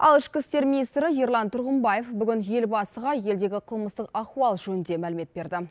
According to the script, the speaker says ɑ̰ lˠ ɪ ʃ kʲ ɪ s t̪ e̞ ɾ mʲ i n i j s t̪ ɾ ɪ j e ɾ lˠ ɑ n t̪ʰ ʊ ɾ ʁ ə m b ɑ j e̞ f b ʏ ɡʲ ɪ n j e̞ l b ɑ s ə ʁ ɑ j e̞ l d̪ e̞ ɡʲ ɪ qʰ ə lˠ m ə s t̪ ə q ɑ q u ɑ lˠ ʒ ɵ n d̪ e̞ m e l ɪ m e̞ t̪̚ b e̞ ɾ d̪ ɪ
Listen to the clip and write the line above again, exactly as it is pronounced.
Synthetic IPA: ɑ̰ lˠ ɪ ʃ kʲ ɪ s t̪ e̞ ɾ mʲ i n i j s t̪ ɾ ɪ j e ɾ lˠ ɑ n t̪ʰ ʊ ɾ ʁ ə m b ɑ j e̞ f b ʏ ɡʲ ɪ n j e̞ l b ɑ s ə ʁ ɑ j e̞ l d̪ e̞ ɡʲ ɪ qʰ ə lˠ m ə s t̪ ə q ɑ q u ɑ lˠ ʒ ɵ n d̪ e̞ m æ l ɪ m e̞ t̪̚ b e̞ ɾ d̪ ɪ